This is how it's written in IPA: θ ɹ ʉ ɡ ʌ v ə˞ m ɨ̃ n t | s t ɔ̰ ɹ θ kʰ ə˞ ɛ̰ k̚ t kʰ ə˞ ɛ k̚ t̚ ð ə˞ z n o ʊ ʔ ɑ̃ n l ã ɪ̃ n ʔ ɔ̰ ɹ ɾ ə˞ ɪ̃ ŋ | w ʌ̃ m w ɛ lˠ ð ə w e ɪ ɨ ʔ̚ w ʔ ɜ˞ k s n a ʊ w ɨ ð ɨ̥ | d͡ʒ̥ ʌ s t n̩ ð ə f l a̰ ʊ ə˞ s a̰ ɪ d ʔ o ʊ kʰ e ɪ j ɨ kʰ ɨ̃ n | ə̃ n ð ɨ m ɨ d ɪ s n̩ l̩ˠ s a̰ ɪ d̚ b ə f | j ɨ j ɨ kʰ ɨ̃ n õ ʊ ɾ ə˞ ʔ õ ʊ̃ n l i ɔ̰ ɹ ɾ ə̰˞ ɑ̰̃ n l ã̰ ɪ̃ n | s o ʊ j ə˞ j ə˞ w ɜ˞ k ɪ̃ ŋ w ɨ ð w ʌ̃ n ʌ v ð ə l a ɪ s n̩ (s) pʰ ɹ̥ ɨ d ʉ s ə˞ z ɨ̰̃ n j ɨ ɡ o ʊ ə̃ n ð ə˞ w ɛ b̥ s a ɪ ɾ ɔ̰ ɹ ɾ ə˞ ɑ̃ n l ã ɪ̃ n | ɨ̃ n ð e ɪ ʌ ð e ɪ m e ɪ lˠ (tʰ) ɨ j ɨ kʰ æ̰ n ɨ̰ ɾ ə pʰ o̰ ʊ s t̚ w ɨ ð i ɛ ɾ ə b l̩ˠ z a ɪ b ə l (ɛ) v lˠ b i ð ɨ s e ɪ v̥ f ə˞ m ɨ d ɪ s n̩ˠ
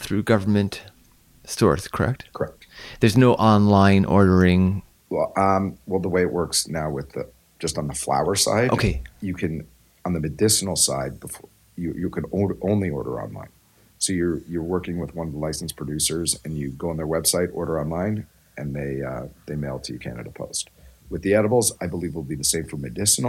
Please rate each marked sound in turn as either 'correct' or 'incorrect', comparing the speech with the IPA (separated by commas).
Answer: correct, correct, incorrect